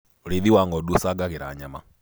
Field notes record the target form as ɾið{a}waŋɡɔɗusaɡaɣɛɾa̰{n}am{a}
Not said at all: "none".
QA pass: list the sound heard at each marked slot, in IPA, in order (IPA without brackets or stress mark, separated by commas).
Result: i, ɲ, a